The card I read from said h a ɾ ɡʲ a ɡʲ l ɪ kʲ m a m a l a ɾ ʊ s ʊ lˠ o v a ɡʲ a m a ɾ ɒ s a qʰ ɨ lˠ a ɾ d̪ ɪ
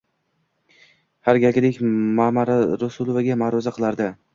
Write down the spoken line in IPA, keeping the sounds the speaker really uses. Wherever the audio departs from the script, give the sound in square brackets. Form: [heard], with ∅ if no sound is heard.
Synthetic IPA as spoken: h a ɾ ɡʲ a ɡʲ l ɪ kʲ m a m a [ɾ] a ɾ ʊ s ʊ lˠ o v a ɡʲ a m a ɾ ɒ [z] a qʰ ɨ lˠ a ɾ d̪ ɪ